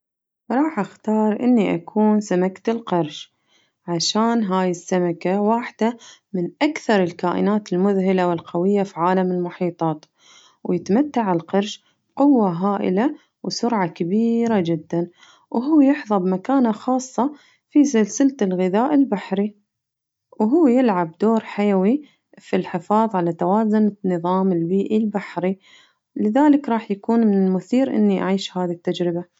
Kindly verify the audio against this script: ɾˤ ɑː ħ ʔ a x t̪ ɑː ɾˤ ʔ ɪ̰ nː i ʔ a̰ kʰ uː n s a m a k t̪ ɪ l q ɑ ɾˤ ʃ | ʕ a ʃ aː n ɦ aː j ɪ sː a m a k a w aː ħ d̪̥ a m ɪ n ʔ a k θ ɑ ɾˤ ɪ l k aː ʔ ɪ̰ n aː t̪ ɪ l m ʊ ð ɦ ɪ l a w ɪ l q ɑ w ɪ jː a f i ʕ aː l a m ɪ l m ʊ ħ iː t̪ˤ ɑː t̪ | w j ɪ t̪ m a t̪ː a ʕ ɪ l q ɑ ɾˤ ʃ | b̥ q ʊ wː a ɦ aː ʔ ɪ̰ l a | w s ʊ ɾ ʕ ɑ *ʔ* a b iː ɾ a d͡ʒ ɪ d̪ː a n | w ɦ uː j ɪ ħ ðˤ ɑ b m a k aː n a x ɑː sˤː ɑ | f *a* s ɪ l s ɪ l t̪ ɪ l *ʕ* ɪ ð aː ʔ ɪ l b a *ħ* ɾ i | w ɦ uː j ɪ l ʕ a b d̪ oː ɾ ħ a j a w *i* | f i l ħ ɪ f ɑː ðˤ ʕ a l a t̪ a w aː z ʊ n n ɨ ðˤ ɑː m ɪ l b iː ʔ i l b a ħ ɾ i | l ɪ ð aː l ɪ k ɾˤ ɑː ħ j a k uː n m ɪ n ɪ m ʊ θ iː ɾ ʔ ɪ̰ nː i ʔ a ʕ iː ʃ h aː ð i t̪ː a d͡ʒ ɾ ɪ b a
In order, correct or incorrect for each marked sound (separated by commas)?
incorrect, incorrect, incorrect, correct, correct